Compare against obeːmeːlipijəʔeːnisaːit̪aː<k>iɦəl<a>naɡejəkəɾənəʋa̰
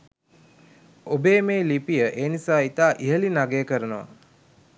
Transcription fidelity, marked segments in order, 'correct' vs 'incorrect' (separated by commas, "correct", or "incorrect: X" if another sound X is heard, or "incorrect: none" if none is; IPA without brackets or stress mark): incorrect: ʔ, incorrect: i